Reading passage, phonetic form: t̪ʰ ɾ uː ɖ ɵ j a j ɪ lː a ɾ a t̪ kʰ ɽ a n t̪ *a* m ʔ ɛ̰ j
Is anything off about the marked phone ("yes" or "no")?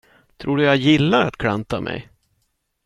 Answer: no